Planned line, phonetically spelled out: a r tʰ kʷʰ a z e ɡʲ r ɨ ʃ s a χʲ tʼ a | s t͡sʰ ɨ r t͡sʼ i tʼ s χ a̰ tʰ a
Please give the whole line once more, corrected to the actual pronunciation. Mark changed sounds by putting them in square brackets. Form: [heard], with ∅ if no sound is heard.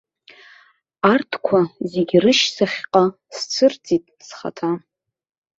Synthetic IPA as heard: a r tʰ kʷʰ a z e ɡʲ r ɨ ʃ s a χʲ [qʼ] a | s t͡sʰ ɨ r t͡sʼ i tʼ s χ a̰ tʰ a